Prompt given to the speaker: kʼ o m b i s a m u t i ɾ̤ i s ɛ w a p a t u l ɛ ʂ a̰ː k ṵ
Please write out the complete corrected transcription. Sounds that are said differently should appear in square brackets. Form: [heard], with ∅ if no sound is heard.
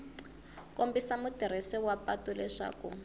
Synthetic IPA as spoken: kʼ o m b i s a m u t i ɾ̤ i s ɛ w a p a t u l ɛ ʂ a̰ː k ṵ